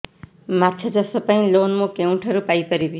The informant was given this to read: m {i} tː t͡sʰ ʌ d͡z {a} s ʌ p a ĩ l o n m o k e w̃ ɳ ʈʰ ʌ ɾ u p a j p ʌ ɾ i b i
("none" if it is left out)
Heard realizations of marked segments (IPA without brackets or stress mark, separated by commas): a, ʌ